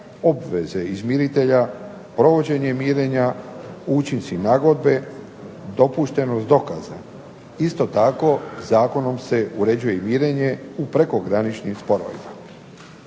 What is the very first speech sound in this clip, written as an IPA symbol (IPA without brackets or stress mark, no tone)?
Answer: o̞